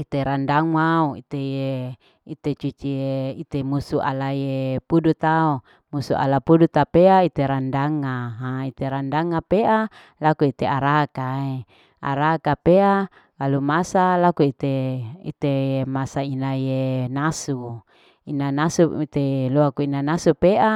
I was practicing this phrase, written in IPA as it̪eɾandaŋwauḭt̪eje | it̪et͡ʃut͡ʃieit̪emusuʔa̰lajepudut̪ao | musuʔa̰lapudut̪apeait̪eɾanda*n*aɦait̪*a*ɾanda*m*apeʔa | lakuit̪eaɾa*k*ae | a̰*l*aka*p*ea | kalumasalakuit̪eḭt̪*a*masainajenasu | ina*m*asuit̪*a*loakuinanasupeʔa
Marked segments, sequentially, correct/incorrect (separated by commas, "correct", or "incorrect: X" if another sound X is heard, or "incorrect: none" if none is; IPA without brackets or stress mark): incorrect: ŋ, incorrect: e, incorrect: ŋ, correct, incorrect: ɾ, correct, incorrect: e, incorrect: n, incorrect: e